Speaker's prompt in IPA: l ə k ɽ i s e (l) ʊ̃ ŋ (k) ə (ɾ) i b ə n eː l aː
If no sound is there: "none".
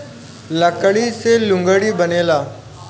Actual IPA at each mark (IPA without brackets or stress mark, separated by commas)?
l, ɡ, ɽ